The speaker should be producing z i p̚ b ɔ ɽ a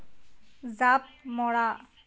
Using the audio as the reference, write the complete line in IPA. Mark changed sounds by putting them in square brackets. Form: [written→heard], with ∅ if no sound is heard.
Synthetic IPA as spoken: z [i→a] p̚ [b→m] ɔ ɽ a